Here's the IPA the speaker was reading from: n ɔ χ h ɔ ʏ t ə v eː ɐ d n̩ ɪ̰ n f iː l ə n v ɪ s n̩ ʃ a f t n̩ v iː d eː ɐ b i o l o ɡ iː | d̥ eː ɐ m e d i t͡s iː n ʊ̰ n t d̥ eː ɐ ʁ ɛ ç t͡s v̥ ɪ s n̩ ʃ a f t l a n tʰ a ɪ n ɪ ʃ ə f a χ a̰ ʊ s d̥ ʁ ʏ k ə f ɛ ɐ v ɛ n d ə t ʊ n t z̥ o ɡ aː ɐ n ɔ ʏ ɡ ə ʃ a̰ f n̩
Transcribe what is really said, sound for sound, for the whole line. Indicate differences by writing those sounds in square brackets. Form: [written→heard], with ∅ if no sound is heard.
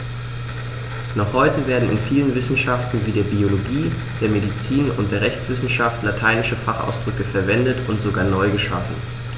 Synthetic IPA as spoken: n ɔ χ h ɔ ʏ t ə v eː ɐ d n̩ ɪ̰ n f iː l ə n v ɪ s n̩ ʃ a f t n̩ v iː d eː ɐ b i o l o ɡ iː | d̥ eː ɐ m e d i t͡s iː n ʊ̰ n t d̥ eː ɐ ʁ ɛ ç t͡s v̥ ɪ s n̩ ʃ a f t l a [n→∅] tʰ a ɪ n ɪ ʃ ə f a χ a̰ ʊ s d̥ ʁ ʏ k ə f ɛ ɐ v ɛ n d ə t ʊ n t z̥ o ɡ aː ɐ n ɔ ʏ ɡ ə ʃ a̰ f n̩